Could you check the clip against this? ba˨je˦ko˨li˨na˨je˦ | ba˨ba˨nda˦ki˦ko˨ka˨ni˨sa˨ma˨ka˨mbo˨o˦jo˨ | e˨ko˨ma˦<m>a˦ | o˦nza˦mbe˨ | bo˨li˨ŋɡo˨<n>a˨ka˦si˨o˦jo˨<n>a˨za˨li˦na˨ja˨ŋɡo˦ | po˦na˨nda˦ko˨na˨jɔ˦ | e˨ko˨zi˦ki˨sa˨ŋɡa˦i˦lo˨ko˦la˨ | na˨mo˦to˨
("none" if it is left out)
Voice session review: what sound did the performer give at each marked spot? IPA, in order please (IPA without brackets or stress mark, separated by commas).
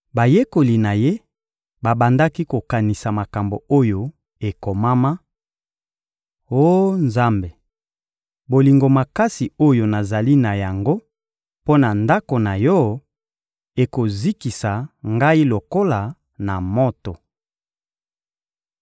m, m, n